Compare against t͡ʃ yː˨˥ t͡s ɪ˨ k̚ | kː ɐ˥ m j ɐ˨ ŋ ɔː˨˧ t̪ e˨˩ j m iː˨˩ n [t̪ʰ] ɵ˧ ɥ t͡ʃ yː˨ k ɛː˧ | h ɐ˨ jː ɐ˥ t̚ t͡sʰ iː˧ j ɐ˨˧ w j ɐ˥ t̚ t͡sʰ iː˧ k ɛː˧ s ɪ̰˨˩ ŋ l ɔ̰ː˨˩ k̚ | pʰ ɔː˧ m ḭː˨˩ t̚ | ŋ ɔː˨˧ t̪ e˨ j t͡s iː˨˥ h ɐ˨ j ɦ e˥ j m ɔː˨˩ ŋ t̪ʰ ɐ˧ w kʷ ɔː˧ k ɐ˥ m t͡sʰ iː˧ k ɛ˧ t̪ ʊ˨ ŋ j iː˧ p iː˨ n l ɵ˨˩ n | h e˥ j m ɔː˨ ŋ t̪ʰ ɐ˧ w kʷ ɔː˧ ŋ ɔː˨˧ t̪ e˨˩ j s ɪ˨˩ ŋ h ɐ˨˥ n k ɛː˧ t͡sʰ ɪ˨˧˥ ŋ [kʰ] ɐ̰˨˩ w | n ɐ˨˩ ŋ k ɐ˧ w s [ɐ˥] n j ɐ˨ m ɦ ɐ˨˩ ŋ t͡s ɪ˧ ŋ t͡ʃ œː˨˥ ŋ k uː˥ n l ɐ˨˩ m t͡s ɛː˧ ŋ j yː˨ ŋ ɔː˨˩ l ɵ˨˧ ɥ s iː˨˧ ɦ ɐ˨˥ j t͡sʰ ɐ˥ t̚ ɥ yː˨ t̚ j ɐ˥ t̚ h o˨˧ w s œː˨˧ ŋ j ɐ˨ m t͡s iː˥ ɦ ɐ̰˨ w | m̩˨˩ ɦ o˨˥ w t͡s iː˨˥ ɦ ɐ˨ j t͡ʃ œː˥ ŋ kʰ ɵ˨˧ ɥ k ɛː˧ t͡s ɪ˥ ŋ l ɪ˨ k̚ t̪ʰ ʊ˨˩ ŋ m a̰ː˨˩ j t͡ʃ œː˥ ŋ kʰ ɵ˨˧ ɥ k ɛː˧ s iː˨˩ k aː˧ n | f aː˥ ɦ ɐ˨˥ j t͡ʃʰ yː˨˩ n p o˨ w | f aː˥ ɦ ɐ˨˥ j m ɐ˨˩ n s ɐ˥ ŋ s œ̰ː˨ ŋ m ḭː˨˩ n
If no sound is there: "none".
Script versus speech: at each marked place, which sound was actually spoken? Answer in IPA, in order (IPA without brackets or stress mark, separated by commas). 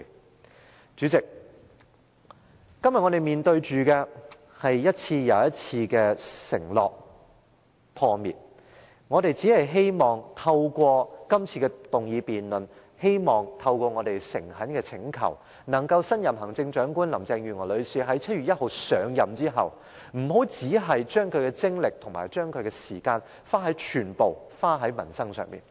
t̪, kʰ, ɐ˥